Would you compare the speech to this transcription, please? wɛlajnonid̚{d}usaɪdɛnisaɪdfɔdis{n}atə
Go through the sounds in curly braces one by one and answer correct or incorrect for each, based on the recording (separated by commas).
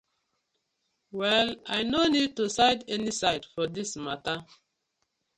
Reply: incorrect, incorrect